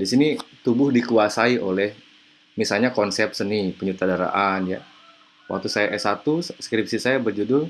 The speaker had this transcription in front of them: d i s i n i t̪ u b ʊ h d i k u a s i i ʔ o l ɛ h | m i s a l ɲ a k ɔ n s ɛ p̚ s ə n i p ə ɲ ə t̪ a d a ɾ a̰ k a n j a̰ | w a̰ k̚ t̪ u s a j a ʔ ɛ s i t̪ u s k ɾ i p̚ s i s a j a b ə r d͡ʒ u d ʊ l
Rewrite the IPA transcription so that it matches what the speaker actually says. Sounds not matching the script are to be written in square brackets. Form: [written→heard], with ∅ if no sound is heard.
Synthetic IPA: d i s i n i t̪ u b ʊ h d i k u a s [i→a] i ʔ o l ɛ h | m i s a l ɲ a k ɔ n s ɛ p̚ s ə n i p ə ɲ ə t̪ a d a ɾ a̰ [k→ʔ] a n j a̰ | w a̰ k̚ t̪ u s a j a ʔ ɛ s [i→a] t̪ u s k ɾ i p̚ s i s a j a b ə r d͡ʒ u d ʊ l